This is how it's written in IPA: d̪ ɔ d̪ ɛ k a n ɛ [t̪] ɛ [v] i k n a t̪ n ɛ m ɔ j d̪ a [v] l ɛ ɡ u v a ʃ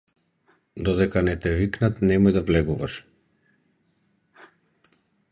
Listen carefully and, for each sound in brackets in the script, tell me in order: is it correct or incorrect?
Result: correct, correct, correct

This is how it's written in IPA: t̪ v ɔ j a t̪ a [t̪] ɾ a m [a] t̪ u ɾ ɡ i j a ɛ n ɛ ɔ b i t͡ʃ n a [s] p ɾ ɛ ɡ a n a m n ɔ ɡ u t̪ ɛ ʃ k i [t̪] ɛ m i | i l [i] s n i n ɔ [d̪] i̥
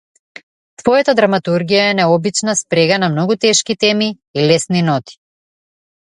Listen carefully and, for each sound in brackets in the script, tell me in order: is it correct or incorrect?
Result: incorrect: d̪, correct, correct, correct, incorrect: ɛ, incorrect: t̪

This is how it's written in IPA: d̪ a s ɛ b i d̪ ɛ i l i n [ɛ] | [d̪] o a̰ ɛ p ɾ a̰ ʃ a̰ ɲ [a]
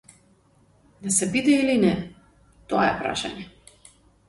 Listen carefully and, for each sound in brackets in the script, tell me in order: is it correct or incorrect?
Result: correct, incorrect: t̪, incorrect: ɛ

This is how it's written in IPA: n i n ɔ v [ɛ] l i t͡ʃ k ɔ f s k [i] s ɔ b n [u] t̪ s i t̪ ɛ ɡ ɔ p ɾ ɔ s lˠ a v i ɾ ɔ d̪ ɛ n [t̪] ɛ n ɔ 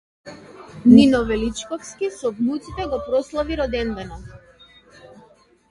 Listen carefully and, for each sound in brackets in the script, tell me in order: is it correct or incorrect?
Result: correct, correct, correct, incorrect: d̪

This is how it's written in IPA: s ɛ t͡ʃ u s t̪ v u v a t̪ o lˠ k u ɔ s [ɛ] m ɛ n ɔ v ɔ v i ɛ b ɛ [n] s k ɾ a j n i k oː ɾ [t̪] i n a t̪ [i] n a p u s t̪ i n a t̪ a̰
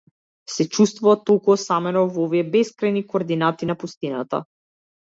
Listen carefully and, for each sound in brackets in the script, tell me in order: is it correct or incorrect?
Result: incorrect: a, incorrect: none, incorrect: d̪, correct

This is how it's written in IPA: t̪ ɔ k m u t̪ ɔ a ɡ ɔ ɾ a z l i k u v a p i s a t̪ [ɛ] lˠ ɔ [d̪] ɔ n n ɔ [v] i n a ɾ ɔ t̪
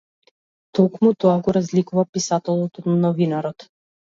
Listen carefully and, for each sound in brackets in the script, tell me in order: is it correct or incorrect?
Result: correct, incorrect: t̪, correct

